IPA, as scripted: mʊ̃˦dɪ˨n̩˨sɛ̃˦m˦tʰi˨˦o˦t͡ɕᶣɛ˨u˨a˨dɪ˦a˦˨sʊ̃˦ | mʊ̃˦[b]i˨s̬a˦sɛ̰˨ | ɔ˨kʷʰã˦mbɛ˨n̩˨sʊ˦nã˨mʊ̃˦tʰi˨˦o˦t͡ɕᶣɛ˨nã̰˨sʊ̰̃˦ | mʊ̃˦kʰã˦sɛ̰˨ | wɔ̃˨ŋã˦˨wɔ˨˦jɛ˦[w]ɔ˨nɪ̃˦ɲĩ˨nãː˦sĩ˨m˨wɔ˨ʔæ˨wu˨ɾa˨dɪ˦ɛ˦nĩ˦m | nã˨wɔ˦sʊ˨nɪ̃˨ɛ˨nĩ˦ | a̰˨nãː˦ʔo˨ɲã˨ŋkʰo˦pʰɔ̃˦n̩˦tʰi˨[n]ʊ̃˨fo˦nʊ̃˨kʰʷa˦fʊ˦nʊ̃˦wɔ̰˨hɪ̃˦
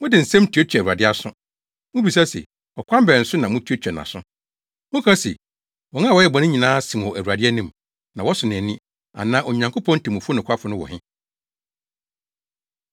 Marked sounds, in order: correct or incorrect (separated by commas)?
correct, incorrect, incorrect